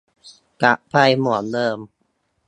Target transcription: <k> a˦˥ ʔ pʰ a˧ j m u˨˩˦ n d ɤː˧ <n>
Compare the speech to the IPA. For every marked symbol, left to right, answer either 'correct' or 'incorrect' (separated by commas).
correct, incorrect